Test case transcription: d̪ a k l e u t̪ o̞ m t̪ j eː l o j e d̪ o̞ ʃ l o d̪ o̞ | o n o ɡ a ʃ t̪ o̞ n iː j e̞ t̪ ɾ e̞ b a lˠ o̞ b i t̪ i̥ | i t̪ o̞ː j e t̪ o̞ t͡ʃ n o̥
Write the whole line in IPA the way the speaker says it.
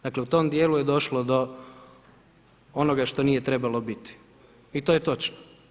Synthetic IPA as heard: d̪ a k l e u t̪ o̞ m d̪ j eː l u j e d̪ o̞ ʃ l o d̪ o̞ | o n o ɡ a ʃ t̪ o̞ n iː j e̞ t̪ ɾ e̞ b a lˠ o̞ b i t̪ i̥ | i t̪ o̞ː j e t̪ o̞ t͡ʃ n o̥